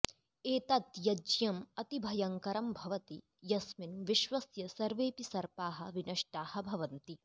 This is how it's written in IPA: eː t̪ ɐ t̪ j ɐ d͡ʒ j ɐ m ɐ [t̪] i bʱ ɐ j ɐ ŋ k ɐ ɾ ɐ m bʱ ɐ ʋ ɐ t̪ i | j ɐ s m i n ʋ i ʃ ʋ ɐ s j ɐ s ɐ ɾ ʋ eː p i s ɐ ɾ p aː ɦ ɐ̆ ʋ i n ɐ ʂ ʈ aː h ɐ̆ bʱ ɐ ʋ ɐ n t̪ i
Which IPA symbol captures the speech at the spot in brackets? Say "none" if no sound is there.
t̪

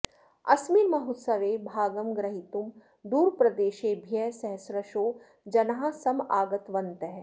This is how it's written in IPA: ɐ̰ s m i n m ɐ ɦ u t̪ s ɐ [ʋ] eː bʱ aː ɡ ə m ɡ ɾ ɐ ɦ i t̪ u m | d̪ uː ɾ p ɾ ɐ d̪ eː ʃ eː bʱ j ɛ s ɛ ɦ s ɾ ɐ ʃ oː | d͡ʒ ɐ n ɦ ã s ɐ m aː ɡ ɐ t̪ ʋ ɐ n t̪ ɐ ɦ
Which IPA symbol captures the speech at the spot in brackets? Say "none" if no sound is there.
ʋ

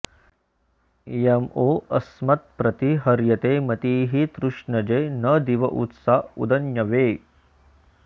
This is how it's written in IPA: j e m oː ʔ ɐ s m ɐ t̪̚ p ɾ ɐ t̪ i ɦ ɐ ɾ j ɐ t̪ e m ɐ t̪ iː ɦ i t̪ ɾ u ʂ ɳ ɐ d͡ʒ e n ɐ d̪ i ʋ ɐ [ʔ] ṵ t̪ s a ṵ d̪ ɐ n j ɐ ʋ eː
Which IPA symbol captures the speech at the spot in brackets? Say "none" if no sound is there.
ʔ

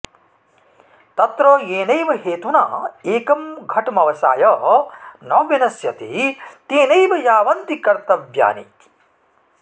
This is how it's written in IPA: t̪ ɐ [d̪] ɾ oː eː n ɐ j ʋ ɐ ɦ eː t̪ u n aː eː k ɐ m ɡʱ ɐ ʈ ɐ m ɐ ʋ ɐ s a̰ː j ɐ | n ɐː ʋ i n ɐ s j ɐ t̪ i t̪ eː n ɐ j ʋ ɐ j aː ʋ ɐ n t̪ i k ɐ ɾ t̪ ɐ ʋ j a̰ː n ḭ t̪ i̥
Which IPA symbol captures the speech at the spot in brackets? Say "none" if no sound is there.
t̪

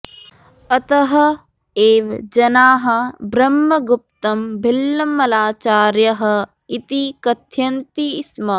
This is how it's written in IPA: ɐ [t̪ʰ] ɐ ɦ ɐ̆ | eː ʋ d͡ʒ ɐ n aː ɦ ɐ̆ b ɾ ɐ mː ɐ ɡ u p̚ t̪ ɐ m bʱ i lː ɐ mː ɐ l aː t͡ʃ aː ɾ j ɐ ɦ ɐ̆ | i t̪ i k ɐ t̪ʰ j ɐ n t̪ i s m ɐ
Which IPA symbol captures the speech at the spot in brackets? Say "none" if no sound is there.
t̪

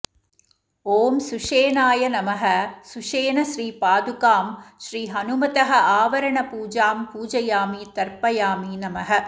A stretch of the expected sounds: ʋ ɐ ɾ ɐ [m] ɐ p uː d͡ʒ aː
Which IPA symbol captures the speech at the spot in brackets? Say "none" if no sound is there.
ɳ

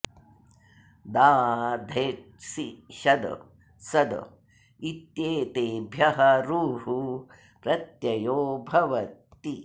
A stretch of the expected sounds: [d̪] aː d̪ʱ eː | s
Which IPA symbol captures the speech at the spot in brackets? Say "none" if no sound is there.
d̪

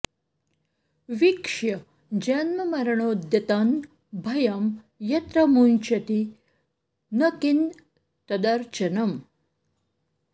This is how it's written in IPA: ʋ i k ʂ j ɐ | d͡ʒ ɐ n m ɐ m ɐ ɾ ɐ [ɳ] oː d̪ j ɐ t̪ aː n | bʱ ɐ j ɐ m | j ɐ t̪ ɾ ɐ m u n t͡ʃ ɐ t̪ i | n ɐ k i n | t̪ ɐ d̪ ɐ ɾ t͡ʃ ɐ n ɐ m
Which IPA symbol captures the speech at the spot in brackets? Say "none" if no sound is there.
ɳ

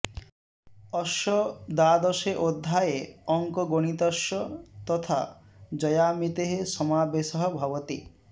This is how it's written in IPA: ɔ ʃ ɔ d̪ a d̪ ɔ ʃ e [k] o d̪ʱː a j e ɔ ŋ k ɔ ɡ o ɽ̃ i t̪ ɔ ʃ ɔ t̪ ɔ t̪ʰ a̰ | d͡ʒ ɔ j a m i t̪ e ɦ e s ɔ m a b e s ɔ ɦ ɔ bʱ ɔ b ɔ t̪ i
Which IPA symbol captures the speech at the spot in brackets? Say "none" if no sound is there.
ʔ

